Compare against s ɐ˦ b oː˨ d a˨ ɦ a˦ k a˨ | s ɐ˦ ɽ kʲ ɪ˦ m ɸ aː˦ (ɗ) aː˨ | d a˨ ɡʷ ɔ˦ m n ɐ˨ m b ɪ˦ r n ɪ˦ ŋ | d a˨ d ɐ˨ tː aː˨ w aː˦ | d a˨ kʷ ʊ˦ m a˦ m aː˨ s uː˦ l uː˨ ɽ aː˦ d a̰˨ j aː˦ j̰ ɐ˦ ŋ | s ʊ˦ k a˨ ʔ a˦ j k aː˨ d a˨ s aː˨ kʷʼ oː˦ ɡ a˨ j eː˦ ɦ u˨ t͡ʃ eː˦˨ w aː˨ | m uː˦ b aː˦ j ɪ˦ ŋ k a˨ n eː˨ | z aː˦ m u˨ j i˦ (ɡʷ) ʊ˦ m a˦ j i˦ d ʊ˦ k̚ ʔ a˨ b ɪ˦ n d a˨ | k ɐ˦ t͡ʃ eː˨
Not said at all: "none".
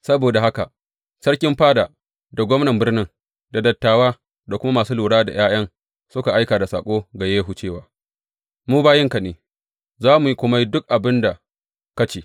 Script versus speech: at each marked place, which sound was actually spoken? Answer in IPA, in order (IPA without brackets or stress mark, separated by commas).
d, kʷ